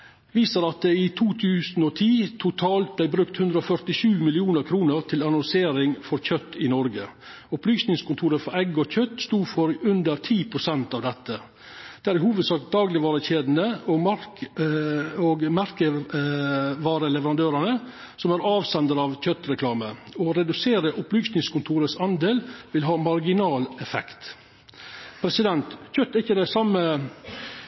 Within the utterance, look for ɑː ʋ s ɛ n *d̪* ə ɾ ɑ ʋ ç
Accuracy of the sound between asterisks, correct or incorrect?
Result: correct